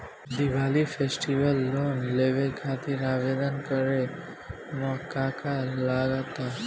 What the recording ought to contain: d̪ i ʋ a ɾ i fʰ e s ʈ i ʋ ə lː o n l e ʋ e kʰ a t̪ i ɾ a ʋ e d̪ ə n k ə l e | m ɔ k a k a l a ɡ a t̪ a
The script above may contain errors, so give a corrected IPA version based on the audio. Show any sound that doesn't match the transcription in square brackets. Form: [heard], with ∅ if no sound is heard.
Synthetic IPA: d̪ i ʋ a [l] i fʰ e s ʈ i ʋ ə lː o n l e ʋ e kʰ a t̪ i ɾ a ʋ e d̪ ə n k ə [ɾ] e | m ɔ k a k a l a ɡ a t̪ a